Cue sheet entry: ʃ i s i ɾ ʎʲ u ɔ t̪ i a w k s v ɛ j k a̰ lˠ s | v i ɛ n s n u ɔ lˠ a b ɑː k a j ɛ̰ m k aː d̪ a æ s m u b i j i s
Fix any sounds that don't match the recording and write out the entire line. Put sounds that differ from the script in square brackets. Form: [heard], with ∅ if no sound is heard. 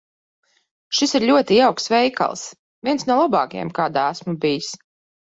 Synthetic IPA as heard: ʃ i s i ɾ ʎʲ u ɔ t̪ i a w k s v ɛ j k a̰ lˠ s | v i ɛ n s n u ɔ lˠ a b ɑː k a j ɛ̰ m k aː d̪ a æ s m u b i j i s